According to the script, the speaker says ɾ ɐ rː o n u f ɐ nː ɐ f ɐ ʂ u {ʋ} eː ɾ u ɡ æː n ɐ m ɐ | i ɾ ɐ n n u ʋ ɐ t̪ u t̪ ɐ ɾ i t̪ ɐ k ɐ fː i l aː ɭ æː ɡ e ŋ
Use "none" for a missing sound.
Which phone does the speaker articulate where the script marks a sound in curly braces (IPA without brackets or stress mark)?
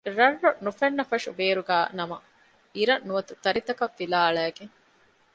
ʋ